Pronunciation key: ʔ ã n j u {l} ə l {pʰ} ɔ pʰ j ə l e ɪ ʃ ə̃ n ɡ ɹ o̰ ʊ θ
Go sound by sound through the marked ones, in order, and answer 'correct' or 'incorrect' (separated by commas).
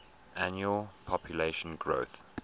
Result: incorrect, correct